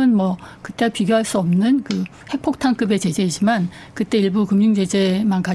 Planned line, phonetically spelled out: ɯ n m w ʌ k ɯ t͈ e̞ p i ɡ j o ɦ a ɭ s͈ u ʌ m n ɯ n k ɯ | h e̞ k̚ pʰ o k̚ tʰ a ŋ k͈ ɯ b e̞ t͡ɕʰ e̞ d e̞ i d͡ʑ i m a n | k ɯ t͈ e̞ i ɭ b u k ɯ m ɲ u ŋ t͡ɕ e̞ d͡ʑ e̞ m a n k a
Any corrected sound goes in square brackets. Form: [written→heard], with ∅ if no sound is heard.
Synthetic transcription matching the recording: ɯ n m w ʌ k ɯ t͈ e̞ p i ɡ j o ɦ a ɭ s͈ u ʌ m n ɯ n k ɯ | h e̞ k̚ pʰ o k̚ tʰ a ŋ k͈ ɯ b e̞ [t͡ɕʰ→t͡ɕ] e̞ [d→d͡ʑ] e̞ i d͡ʑ i m a n | k ɯ t͈ e̞ i ɭ b u k ɯ m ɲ u ŋ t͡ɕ e̞ d͡ʑ e̞ m a n k a